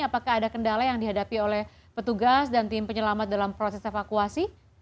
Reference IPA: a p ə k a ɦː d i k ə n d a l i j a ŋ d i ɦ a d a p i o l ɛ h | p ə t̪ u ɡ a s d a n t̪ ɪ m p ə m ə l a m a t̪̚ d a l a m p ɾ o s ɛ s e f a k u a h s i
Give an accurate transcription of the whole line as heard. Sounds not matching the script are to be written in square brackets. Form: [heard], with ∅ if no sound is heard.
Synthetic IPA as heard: a p [a] k a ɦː d [a] k ə n d a l [a] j a ŋ d i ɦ a d a p i o l ɛ h | p ə t̪ u ɡ a s d a n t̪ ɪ m p ə [ɲ] ə l a m a t̪̚ d a l a m p ɾ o s ɛ s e f a k u a [∅] s i